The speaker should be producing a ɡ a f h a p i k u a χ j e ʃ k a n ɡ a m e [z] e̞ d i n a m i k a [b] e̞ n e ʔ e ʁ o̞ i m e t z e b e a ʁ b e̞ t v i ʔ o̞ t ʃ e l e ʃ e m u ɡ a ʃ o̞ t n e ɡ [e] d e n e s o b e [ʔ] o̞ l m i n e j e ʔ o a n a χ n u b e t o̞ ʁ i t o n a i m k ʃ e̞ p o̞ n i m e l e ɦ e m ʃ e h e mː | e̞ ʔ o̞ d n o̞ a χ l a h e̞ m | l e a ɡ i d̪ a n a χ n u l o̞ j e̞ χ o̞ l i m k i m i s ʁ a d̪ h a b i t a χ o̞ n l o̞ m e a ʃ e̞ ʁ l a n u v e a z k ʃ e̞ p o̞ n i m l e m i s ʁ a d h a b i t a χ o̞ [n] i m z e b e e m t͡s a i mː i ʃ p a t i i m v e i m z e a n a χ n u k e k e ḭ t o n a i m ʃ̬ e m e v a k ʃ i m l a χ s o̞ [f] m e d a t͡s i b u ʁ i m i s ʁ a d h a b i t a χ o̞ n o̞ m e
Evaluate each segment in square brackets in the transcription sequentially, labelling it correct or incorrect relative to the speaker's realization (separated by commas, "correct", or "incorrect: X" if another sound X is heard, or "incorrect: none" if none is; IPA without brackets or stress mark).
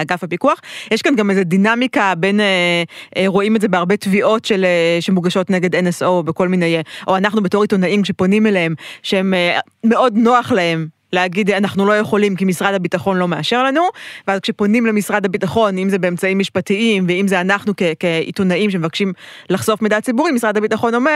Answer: correct, correct, correct, incorrect: k, correct, correct